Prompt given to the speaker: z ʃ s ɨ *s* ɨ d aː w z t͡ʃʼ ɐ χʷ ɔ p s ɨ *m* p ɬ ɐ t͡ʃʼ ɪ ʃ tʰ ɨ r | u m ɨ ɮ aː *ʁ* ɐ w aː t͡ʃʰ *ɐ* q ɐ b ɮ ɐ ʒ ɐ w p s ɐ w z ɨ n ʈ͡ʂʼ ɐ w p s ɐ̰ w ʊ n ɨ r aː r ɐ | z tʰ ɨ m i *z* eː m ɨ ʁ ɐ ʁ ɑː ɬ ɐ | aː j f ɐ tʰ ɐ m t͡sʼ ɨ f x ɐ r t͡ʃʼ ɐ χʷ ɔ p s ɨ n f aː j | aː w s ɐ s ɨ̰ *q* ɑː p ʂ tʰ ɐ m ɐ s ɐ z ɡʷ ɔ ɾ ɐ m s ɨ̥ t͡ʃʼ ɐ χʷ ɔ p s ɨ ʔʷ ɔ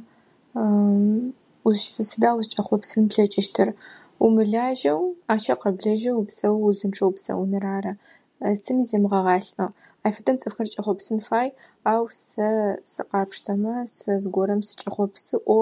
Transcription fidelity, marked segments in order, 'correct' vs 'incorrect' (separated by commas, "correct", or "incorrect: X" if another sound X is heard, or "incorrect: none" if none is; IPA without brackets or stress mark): correct, incorrect: n, incorrect: ʒ, correct, correct, correct